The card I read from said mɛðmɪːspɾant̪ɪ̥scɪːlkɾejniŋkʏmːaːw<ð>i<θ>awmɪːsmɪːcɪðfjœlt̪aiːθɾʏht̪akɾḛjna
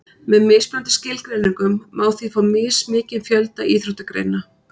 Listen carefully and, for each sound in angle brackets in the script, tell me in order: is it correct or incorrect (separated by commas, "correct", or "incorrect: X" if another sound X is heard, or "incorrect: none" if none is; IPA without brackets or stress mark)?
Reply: incorrect: θ, incorrect: f